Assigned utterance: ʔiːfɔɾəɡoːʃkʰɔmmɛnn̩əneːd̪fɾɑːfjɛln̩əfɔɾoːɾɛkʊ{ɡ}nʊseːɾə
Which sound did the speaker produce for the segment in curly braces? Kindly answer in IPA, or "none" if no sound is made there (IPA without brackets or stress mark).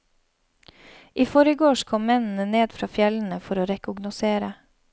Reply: ɡ